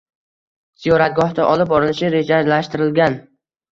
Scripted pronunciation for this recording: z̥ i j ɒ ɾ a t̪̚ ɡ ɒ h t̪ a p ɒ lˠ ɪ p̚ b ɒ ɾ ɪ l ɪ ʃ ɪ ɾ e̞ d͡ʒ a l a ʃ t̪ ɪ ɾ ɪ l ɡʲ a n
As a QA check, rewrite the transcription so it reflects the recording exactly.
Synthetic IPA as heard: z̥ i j ɒ ɾ a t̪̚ ɡ ɒ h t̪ a ʔ ɒ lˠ ɪ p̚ b ɒ ɾ ɪ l ɪ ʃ ɪ ɾ e̞ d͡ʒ a l a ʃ t̪ ɪ ɾ ɪ l ɡʲ a n